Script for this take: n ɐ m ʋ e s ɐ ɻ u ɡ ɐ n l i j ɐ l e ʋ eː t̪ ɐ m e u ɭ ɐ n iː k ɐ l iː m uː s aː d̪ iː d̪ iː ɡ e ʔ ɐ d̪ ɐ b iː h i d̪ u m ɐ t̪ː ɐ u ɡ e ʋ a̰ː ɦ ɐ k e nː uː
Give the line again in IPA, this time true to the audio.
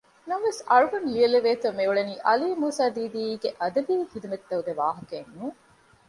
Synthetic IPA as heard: n ɐ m ʋ e s ɐ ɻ u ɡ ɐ n l i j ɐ l e ʋ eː t̪ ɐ m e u ɭ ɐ n iː ʔ ɐ l iː m uː s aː d̪ iː d̪ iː ɡ e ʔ ɐ d̪ ɐ b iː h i d̪ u m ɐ t̪ː ɐ u ɡ e ʋ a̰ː ɦ ɐ k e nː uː